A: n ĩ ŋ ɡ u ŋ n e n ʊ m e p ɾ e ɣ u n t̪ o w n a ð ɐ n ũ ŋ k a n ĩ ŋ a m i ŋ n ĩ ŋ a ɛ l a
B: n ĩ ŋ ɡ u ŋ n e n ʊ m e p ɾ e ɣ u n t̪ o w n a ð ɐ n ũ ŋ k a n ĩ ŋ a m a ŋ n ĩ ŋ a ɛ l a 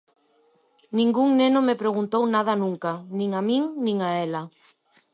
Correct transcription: A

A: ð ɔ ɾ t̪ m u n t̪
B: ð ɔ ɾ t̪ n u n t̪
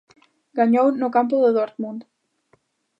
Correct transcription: A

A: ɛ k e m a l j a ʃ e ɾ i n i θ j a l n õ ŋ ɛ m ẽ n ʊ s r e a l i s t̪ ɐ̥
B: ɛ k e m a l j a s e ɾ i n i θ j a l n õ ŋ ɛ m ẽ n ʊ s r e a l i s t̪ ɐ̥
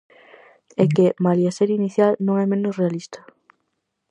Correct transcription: B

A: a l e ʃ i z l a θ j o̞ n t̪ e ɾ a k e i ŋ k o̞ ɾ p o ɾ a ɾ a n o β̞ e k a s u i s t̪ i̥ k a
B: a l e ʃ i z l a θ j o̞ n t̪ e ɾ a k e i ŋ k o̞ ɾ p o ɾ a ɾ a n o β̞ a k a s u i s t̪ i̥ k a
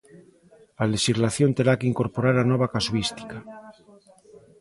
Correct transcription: B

